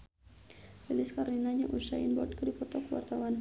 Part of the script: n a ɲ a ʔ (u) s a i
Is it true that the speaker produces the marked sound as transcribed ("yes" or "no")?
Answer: yes